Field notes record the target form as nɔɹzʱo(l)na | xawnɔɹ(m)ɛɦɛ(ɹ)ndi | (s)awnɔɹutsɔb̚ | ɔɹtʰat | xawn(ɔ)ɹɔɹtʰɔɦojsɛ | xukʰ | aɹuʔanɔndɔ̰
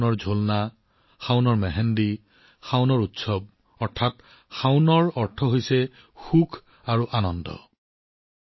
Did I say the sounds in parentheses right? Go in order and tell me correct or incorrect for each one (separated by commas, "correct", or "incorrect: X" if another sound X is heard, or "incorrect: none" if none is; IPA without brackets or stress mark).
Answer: correct, correct, incorrect: none, incorrect: x, correct